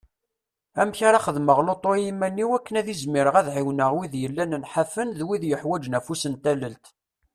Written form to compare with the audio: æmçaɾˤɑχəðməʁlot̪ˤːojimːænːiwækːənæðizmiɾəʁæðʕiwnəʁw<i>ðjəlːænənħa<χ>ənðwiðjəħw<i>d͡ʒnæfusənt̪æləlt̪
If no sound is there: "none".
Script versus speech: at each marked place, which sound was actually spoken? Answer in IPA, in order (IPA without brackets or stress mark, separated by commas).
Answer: i, f, æ